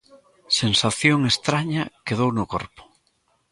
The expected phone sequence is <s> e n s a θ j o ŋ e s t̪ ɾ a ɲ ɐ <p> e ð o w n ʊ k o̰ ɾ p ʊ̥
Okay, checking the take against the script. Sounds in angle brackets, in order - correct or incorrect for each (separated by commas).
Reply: correct, incorrect